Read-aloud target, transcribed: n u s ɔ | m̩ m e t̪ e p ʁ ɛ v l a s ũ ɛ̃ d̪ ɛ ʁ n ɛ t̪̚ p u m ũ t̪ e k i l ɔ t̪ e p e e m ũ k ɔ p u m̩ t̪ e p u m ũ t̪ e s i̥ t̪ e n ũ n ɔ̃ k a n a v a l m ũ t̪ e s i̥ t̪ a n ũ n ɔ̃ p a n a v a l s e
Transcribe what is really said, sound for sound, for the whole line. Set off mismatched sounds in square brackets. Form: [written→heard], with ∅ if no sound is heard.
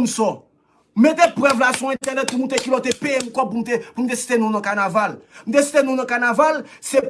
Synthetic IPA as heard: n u s ɔ | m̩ m e t̪ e p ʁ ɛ v l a s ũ ɛ̃ [d̪→t̪] ɛ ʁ n ɛ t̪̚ p u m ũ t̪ e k i l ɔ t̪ e p e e m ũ k ɔ p u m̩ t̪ e p u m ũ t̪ e s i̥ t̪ e n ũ n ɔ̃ k a n a v a l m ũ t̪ e s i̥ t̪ [a→e] n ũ n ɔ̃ [p→k] a n a v a l s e